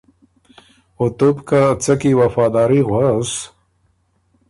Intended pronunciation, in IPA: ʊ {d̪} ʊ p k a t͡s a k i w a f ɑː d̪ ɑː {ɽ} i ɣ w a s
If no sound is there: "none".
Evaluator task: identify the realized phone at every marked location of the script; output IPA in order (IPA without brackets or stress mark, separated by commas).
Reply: t̪, ɾ